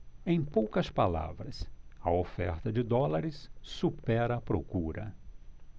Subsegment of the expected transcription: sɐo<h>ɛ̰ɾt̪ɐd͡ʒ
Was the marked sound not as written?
yes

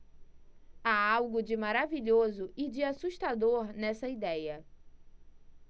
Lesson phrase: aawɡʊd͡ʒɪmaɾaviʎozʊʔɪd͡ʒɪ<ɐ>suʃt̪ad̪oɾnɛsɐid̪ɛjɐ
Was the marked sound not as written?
yes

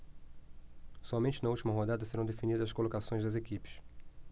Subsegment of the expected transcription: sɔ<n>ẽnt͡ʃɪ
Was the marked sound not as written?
yes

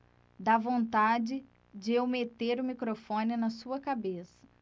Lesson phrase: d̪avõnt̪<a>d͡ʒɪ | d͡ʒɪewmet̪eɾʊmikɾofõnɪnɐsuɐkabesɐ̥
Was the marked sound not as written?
no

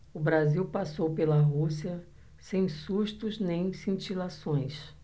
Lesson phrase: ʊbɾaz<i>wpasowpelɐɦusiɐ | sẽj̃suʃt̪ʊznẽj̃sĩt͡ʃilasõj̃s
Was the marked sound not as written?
no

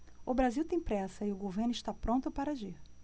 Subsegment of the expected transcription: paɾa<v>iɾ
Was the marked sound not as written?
yes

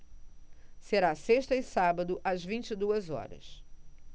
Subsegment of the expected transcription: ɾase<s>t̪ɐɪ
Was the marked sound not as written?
yes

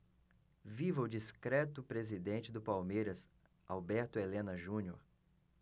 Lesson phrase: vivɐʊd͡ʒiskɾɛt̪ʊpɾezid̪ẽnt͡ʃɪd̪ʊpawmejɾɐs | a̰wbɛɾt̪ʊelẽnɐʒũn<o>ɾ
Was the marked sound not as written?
no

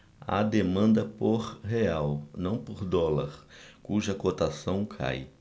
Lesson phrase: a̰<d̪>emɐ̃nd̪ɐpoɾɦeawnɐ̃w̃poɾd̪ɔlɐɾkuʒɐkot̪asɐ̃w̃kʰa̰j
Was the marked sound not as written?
no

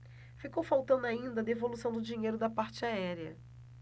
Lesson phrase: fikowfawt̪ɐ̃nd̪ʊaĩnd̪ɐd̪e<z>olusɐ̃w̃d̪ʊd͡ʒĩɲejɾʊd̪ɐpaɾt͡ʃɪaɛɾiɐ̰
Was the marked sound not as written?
yes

